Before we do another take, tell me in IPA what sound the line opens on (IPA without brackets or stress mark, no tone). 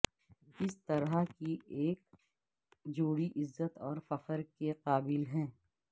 ɪ